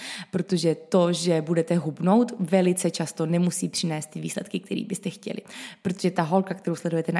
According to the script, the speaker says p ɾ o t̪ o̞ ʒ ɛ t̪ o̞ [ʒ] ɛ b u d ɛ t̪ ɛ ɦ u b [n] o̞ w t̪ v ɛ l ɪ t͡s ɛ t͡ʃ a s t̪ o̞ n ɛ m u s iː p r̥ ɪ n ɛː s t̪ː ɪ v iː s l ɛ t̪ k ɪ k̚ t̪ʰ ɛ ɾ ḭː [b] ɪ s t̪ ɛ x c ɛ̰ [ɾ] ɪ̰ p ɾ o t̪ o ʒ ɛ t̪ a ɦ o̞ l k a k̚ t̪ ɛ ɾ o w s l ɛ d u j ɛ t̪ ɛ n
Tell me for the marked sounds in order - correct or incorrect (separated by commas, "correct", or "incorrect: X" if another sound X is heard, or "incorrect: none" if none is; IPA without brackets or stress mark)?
correct, correct, correct, incorrect: l